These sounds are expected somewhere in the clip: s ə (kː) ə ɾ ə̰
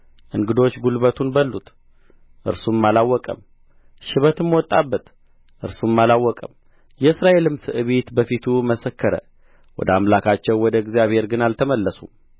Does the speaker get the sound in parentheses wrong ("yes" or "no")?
no